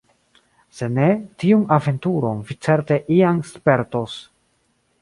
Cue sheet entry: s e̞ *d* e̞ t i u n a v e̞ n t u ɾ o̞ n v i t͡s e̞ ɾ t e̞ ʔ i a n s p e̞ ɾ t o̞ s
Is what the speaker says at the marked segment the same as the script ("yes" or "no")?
no